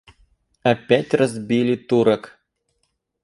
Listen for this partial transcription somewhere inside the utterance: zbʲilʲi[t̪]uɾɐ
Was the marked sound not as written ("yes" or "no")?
no